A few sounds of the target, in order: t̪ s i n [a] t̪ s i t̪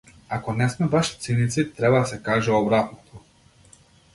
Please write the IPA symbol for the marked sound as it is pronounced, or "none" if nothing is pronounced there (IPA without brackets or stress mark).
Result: i